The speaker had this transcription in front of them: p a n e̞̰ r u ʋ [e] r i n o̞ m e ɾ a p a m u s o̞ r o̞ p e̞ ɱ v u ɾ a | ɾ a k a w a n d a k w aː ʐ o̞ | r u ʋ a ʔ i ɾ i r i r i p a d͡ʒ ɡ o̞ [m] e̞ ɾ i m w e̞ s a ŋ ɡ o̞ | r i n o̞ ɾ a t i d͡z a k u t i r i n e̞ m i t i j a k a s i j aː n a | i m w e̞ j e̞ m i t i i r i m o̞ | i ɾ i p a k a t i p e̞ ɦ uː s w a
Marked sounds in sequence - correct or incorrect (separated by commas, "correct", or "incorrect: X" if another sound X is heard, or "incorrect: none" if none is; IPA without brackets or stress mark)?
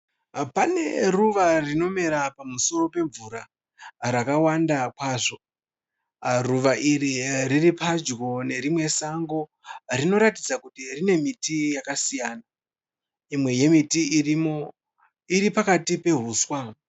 incorrect: a, incorrect: n